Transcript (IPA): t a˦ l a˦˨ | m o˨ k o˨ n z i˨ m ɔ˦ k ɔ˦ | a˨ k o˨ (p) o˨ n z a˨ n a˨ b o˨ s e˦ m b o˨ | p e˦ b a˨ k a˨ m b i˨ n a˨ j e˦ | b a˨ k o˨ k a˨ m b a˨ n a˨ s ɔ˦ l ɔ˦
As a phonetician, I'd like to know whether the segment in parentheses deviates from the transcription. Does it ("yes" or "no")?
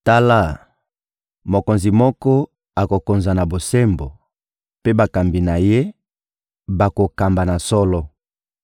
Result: yes